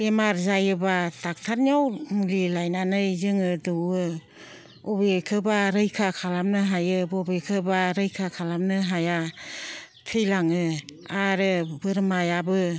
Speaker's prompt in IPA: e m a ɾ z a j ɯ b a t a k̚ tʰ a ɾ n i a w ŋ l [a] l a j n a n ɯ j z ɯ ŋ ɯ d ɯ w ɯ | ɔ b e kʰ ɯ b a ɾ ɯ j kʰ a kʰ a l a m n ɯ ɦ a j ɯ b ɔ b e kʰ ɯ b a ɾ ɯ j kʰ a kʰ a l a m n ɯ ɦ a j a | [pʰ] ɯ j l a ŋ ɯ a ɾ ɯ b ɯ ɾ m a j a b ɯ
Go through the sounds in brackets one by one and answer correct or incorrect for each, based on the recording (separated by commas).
incorrect, incorrect